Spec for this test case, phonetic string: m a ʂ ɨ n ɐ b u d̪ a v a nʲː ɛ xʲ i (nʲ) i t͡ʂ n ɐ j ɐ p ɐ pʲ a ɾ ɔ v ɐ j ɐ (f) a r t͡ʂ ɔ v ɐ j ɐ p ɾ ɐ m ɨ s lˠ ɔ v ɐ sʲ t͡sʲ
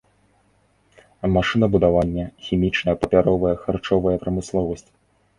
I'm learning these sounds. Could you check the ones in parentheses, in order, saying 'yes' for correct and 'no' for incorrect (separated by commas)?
no, no